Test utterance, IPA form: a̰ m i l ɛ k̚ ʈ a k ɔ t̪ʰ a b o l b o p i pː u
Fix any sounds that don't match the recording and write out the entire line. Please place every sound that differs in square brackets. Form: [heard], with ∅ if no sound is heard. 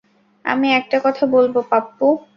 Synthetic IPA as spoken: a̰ m i [∅] ɛ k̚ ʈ a k ɔ t̪ʰ a b o l b o p [a] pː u

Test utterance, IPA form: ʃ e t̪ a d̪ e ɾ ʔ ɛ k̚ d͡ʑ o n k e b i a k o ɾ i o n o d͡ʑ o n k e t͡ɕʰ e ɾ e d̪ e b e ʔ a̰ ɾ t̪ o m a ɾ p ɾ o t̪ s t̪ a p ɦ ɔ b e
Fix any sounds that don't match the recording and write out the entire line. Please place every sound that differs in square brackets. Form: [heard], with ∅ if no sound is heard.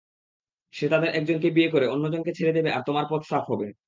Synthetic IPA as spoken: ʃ e t̪ a d̪ e ɾ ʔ ɛ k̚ d͡ʑ o n k e b i [e] k o ɾ [e] o [nː] o d͡ʑ o n k e t͡ɕʰ e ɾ e d̪ e b e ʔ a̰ ɾ t̪ o m a ɾ p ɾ o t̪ s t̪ a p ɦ ɔ b e

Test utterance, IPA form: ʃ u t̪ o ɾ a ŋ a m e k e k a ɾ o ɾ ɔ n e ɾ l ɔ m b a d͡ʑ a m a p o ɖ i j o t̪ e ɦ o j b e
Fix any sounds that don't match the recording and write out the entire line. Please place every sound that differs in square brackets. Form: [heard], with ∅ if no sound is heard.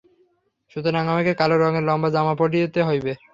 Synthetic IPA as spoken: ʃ u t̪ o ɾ a ŋ a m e k e k a [l] o ɾ ɔ [ŋ] e ɾ l ɔ m b a d͡ʑ a m a p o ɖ i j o t̪ e ɦ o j b e

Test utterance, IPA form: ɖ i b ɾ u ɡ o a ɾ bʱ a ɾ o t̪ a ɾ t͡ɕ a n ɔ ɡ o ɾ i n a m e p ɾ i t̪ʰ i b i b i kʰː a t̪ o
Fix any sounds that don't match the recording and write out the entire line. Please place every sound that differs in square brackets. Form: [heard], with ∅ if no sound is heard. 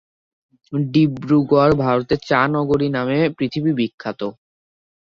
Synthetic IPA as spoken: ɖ i b ɾ u ɡ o a ɾ bʱ a ɾ o t̪ [e] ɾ t͡ɕ a n ɔ ɡ o ɾ i n a m e p ɾ i t̪ʰ i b i b i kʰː a t̪ o

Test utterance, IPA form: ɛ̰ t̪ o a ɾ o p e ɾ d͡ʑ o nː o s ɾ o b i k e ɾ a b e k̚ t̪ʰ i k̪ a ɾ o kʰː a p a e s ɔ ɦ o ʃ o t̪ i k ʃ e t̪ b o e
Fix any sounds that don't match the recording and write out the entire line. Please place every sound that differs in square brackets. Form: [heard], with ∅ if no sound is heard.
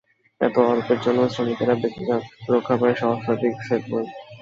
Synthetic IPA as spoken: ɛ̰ t̪ o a ɾ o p e ɾ d͡ʑ o nː o s ɾ o [m] i k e ɾ a b e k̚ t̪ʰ i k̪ a ɾ o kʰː a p a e [ʃ] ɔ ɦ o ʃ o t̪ i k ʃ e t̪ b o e

